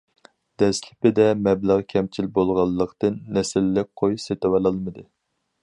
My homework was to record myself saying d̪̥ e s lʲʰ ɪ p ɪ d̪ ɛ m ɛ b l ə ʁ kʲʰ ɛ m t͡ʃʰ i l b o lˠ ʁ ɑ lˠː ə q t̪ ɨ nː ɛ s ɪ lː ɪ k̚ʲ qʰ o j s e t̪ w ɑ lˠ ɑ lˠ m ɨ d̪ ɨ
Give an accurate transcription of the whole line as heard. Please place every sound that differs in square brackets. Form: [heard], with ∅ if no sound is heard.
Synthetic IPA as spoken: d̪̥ [ɛ] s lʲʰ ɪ p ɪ d̪ ɛ m ɛ b l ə ʁ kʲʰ ɛ m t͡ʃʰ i l b o lˠ ʁ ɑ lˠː ə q t̪ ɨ nː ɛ s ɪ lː ɪ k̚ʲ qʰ o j s e t̪ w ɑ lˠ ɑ lˠ m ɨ d̪ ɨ